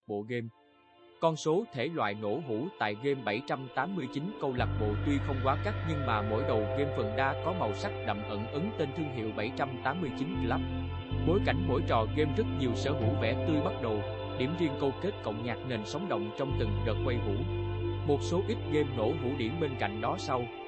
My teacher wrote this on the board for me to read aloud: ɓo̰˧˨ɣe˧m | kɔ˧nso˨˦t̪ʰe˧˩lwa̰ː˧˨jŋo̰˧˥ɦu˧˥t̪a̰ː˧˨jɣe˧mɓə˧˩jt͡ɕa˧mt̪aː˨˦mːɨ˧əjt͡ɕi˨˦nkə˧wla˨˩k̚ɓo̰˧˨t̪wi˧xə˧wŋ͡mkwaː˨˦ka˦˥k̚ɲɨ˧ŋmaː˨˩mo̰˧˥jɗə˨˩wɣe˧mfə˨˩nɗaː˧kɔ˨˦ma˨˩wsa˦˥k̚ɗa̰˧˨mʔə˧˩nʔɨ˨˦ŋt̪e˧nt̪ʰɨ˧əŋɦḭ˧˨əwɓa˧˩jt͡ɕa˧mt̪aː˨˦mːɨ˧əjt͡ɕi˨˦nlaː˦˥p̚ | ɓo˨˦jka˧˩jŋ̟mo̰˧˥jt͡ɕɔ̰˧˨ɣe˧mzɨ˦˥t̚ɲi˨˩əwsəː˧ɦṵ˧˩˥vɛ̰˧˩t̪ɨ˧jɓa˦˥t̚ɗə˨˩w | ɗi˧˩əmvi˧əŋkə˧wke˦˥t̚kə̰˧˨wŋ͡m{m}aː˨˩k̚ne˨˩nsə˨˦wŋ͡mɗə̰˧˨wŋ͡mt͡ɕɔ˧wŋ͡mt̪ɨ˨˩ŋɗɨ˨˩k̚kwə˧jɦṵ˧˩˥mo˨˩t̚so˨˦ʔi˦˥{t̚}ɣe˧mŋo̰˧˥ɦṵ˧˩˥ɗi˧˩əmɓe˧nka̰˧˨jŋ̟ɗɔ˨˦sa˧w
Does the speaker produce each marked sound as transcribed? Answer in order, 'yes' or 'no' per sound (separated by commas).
no, yes